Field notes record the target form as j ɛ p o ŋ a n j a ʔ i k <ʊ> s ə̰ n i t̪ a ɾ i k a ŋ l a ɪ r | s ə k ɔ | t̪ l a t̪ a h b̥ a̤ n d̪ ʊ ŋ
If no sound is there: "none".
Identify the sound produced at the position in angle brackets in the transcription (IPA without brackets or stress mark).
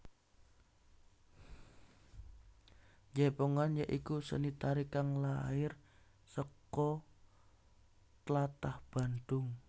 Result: u